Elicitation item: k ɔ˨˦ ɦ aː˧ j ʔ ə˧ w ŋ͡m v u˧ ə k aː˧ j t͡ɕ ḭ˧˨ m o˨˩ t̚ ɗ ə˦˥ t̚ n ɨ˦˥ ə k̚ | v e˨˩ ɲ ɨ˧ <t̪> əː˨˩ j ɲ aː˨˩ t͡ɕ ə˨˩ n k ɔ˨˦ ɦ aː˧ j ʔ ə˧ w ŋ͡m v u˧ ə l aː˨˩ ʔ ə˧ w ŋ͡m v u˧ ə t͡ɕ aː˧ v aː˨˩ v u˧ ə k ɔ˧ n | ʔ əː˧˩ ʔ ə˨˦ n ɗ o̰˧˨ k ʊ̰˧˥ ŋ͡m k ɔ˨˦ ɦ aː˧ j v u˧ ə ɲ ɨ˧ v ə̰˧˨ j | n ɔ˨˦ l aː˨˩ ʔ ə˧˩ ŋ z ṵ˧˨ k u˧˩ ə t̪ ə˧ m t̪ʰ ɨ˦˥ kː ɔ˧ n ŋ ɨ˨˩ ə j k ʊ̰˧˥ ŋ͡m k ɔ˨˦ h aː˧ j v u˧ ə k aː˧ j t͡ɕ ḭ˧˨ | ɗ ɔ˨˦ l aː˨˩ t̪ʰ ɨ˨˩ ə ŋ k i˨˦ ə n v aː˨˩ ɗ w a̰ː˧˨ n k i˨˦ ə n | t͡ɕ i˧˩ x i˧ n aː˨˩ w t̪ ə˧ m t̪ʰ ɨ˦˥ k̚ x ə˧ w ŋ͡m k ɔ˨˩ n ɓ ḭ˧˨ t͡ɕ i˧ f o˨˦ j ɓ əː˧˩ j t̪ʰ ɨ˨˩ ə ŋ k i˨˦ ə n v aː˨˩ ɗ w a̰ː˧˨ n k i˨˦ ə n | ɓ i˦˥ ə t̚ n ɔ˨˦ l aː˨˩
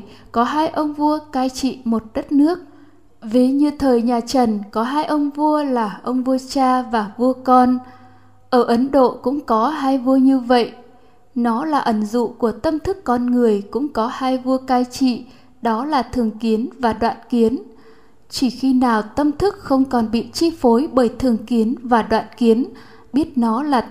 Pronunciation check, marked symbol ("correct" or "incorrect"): incorrect